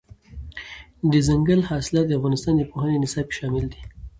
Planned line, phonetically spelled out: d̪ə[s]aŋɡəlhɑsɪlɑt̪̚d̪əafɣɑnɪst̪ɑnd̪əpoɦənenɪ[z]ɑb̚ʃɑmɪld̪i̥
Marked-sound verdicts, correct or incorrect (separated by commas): incorrect, incorrect